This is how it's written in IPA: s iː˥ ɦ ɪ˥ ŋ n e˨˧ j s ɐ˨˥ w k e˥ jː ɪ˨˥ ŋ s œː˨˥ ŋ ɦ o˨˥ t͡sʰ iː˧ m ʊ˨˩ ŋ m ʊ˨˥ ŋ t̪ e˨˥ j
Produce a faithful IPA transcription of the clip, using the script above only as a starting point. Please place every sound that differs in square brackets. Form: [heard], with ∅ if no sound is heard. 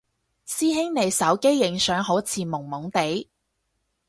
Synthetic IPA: s iː˥ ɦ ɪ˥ ŋ n e˨˧ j s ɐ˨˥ w k e˥ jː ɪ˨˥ ŋ s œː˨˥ ŋ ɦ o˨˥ t͡sʰ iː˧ m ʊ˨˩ ŋ m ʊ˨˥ ŋ t̪ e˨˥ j